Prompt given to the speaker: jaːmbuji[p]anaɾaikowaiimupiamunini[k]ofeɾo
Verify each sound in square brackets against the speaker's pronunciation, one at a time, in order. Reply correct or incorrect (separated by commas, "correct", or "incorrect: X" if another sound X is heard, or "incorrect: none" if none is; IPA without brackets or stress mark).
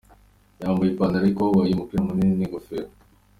correct, incorrect: ɡ